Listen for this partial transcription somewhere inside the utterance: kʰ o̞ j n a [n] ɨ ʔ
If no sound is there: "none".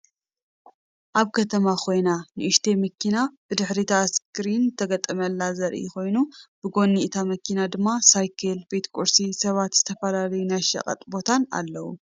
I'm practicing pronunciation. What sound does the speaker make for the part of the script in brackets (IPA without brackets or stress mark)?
n